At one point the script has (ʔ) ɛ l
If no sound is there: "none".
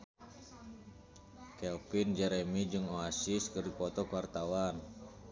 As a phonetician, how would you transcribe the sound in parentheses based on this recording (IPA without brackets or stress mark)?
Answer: k